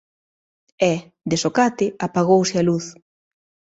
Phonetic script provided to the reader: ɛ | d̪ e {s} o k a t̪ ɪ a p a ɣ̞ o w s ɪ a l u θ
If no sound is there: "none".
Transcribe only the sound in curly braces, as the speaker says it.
s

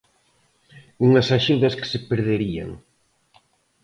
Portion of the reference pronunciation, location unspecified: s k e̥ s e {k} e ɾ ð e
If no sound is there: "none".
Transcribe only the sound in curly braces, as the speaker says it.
p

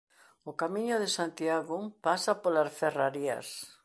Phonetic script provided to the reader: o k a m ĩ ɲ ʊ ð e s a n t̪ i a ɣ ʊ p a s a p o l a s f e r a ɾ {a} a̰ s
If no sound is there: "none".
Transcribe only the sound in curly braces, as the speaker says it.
i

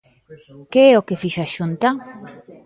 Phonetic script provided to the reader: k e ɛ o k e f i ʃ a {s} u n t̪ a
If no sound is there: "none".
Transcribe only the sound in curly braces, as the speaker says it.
ʃ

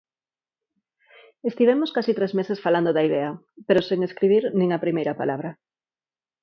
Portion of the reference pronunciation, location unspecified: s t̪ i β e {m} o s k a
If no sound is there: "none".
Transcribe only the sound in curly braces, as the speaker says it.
m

